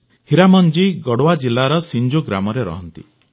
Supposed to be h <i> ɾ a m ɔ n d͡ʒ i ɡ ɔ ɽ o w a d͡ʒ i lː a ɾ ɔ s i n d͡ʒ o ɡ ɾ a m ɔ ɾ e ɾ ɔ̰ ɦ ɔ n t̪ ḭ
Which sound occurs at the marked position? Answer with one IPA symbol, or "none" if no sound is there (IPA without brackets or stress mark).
i